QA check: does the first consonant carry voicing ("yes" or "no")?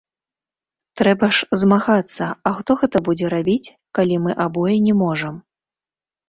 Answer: no